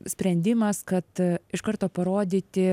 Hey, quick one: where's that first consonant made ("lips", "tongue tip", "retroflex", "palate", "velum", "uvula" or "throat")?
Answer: tongue tip